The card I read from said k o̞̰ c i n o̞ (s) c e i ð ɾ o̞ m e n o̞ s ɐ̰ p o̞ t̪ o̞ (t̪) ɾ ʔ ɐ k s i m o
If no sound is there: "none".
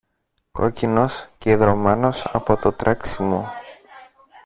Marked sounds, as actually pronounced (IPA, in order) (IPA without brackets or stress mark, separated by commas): s, t̪